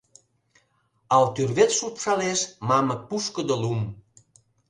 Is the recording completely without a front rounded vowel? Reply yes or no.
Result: no